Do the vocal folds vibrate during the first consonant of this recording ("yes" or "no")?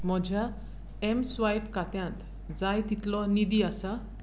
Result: yes